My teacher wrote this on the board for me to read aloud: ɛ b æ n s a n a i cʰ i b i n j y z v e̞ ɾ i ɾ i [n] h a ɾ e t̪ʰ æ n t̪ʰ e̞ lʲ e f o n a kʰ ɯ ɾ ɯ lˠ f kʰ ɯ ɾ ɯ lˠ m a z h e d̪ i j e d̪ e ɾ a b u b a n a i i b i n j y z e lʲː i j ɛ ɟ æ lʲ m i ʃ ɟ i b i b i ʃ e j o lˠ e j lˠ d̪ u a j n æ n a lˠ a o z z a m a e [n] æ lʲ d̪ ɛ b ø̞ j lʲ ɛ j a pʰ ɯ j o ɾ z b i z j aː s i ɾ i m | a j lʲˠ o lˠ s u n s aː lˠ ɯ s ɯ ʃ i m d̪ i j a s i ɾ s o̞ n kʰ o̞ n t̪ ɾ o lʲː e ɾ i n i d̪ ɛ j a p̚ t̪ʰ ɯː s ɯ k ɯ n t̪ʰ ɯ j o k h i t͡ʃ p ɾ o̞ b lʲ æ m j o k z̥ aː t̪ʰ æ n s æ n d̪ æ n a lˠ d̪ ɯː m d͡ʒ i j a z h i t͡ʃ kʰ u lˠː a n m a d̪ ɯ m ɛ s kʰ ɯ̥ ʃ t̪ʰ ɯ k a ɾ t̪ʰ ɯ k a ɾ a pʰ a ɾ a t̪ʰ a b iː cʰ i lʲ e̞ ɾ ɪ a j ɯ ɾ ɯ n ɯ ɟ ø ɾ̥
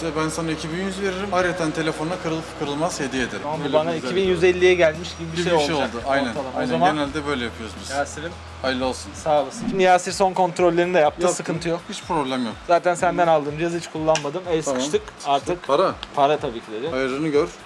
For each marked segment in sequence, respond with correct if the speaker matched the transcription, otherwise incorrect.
incorrect: m, correct

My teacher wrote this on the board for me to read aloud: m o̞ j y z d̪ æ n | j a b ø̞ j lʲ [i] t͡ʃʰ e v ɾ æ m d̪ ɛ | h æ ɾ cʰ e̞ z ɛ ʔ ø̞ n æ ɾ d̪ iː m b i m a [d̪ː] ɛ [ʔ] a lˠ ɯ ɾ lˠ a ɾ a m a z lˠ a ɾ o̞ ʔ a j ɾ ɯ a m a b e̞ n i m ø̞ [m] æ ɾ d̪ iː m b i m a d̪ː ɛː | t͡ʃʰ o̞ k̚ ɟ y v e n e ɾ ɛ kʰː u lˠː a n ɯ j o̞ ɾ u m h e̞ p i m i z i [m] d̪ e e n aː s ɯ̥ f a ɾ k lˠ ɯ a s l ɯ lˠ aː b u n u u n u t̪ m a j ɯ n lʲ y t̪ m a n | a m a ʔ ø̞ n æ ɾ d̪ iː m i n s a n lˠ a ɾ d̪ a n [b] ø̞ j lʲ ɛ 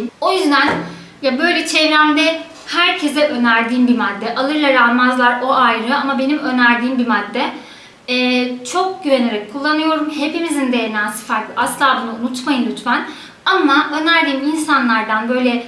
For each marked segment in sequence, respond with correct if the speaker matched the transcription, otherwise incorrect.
incorrect: ɛ, correct, correct, incorrect: n, incorrect: n, correct

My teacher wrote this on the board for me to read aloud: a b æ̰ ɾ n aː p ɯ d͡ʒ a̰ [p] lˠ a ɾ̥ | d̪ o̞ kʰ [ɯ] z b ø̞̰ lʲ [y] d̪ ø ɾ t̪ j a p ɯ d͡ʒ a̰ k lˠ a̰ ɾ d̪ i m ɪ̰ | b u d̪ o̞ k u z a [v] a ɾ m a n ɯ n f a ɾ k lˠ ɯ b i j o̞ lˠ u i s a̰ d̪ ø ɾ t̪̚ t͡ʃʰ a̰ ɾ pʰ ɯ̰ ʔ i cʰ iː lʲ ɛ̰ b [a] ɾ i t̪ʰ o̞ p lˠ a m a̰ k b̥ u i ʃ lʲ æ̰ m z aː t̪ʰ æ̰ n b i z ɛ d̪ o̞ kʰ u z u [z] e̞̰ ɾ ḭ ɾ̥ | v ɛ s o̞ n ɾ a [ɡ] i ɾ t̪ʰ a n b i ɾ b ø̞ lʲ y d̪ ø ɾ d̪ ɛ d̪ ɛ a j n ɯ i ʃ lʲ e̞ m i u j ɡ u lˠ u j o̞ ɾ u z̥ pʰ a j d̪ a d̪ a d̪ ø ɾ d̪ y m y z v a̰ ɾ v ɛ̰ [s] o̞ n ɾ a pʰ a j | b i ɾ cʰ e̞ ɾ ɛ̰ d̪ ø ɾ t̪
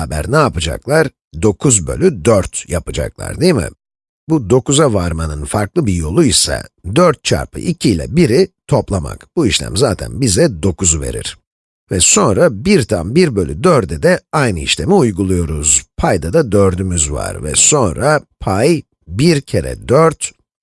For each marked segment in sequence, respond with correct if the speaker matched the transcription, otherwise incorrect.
incorrect: k, incorrect: u, correct, correct, incorrect: i, incorrect: v, incorrect: b, correct

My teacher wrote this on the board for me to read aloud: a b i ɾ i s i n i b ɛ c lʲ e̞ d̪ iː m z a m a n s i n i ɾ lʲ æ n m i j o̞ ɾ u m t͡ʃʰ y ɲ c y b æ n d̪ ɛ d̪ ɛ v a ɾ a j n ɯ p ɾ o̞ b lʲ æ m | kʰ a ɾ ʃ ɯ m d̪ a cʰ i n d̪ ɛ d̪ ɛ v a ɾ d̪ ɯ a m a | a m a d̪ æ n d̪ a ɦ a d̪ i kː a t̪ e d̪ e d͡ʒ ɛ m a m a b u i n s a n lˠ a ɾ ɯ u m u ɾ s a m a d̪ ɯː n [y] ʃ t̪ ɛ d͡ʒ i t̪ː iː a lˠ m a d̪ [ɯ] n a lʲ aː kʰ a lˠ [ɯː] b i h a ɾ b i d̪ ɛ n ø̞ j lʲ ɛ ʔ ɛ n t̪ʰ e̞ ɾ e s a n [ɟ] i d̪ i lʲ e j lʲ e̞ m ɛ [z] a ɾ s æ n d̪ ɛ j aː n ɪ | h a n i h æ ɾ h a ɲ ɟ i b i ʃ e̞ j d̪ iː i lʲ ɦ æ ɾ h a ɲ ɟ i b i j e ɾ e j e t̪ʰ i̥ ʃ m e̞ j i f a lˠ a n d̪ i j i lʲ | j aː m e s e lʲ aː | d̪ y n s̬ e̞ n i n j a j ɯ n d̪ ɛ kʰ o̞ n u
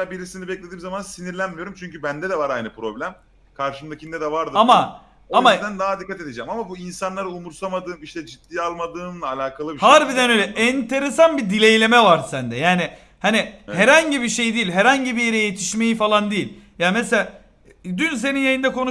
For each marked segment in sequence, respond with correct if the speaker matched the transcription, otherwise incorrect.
incorrect: i, incorrect: ɯː, incorrect: ɯ, incorrect: b, incorrect: v

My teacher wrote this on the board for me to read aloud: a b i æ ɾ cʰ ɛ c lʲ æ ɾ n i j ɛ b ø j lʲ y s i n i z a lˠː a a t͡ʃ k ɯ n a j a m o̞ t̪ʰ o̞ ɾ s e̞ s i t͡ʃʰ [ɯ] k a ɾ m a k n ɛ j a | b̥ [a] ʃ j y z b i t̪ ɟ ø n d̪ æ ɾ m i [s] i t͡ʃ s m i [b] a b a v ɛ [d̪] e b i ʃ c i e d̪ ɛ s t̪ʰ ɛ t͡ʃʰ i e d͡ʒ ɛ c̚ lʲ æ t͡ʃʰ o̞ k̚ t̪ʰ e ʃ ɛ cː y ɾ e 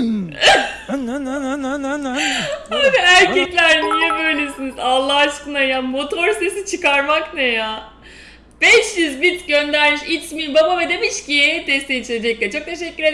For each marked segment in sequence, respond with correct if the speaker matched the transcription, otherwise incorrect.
correct, incorrect: ɛ, incorrect: ʃ, correct, correct

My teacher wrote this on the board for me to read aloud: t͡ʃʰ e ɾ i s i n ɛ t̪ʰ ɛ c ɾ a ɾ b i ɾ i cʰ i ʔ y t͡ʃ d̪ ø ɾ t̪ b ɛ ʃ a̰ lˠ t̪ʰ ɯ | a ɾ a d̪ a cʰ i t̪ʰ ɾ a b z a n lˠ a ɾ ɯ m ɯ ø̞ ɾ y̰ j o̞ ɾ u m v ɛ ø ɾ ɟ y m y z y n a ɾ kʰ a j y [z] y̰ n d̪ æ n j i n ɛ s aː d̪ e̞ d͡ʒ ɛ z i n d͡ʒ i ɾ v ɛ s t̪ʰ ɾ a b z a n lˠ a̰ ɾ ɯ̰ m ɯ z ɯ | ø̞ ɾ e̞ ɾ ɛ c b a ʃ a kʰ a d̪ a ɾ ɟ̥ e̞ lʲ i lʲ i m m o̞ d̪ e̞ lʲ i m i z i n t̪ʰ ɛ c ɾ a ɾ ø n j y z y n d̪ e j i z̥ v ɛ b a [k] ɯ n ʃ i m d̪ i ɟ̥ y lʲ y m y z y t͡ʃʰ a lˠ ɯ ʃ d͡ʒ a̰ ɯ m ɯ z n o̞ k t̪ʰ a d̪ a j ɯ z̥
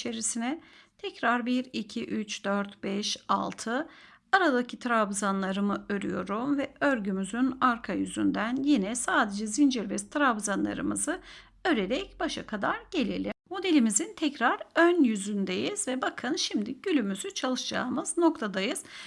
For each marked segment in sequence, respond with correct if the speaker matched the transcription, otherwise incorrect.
correct, incorrect: kʰ

